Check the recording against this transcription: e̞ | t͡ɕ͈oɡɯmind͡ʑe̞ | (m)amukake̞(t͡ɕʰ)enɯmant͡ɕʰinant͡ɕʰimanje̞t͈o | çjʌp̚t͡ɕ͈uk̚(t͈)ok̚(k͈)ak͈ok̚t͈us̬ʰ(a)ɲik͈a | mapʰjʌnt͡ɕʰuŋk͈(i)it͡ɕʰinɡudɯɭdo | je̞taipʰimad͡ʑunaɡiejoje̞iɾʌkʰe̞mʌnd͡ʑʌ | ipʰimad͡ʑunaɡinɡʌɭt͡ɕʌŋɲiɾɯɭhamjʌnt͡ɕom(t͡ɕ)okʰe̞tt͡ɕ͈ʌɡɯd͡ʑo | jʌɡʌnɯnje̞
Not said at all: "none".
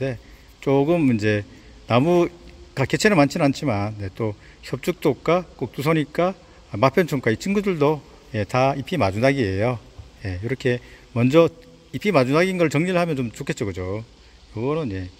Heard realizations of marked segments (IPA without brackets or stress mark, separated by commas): n, t͡ɕʰ, t͈, k͈, ʌ, a, t͡ɕ